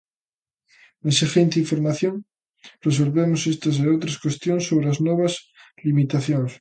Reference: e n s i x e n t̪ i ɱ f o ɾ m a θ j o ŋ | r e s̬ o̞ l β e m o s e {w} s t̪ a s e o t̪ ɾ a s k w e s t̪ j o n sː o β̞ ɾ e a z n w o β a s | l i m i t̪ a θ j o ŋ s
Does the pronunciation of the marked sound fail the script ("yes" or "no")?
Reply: yes